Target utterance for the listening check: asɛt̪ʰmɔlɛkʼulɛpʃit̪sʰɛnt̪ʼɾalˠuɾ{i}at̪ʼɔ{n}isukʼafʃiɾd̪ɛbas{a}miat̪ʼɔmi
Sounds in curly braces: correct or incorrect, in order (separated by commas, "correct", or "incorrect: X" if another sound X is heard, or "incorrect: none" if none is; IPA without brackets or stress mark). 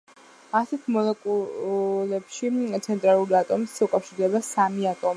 correct, incorrect: m, correct